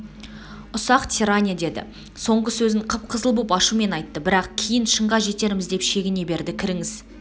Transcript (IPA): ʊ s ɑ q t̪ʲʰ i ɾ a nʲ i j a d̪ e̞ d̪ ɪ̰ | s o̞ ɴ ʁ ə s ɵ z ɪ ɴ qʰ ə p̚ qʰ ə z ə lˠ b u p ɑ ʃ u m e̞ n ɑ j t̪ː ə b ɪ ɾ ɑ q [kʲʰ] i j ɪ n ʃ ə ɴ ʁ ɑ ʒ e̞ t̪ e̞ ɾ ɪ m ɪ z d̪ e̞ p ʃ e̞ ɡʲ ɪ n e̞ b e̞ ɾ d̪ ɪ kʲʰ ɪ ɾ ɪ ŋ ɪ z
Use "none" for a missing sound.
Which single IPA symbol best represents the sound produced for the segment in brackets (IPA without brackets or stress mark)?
kʲʰ